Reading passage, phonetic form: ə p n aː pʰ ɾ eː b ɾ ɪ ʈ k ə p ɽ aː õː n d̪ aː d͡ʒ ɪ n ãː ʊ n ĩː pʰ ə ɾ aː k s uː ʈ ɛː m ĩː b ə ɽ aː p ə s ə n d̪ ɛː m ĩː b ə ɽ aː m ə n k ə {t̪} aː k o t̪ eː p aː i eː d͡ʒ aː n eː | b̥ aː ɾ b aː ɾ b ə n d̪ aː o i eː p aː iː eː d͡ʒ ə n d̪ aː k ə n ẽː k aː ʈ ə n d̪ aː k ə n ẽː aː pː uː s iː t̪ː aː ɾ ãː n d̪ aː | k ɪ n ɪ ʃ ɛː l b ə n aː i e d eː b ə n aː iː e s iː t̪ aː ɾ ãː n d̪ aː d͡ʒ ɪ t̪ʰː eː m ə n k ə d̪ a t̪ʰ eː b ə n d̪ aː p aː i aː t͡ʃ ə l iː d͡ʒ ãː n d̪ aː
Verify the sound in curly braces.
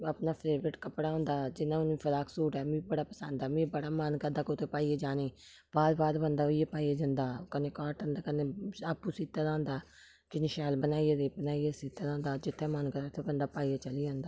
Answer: incorrect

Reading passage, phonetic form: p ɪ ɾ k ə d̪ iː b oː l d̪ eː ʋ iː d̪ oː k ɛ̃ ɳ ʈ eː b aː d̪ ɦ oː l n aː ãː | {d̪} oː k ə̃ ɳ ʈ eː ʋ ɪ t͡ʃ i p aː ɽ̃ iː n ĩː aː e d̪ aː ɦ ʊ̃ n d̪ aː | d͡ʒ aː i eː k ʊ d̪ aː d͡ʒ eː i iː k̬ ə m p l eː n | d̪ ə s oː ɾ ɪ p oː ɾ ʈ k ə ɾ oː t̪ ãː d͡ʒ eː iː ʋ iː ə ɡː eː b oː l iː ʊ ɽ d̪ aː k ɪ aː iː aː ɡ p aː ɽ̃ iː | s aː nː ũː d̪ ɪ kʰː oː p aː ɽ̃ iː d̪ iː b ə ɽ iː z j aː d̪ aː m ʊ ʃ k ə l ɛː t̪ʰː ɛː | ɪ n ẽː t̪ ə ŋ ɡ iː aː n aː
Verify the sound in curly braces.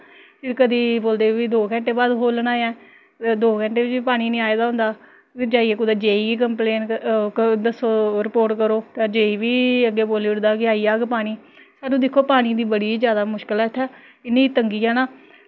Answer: correct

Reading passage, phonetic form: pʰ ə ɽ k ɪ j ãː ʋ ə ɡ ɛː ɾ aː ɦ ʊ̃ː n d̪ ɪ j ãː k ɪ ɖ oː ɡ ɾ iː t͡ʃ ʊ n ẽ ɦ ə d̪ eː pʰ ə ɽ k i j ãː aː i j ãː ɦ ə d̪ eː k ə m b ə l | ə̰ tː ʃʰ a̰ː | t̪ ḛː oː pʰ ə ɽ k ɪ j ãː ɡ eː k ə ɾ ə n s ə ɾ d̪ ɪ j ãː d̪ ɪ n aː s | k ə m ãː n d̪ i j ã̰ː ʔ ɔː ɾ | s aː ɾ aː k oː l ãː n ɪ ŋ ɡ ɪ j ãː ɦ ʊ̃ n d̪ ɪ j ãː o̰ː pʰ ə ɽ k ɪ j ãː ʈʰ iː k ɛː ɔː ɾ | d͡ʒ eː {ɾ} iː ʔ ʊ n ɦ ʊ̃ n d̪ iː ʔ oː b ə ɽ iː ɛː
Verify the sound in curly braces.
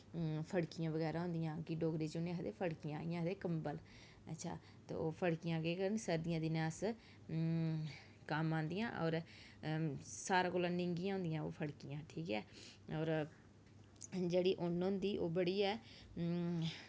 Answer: incorrect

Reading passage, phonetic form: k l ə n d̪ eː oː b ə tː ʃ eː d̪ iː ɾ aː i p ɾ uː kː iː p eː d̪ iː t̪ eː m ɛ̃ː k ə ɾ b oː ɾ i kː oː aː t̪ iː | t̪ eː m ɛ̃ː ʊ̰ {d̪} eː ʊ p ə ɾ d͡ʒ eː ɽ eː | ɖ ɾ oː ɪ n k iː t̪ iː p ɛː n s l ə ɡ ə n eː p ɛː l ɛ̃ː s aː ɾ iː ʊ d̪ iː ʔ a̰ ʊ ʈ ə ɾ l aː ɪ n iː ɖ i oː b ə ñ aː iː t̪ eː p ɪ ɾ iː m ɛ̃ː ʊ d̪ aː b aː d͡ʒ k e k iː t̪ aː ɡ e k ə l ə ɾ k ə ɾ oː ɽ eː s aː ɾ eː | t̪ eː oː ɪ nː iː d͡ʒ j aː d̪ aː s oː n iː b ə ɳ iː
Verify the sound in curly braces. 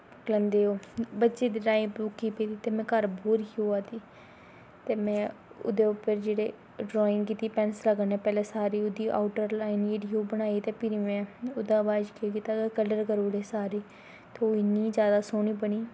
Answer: correct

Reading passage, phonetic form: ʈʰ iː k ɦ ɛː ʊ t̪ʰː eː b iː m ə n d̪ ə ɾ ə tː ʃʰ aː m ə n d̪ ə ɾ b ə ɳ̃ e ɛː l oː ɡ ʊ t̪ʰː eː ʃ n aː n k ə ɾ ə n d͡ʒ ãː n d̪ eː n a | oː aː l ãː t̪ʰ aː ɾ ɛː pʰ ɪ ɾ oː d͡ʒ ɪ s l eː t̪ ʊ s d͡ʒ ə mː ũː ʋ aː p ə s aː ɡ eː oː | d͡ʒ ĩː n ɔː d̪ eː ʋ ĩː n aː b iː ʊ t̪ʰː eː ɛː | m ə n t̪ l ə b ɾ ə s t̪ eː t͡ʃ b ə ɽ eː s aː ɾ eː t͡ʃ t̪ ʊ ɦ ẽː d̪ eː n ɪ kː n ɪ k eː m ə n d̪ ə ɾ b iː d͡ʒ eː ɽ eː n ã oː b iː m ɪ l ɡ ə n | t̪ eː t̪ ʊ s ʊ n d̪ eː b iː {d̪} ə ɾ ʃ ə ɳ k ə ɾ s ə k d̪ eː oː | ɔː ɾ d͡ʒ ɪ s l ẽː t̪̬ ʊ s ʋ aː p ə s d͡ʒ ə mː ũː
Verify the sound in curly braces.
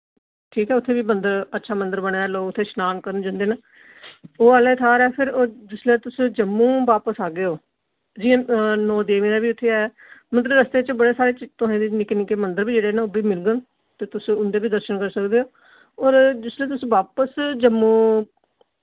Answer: correct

